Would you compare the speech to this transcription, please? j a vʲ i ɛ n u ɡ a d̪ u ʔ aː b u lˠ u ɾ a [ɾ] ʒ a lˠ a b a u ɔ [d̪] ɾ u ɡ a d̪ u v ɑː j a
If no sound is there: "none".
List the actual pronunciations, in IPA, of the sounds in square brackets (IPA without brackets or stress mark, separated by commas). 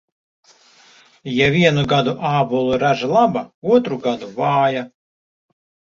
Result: none, t̪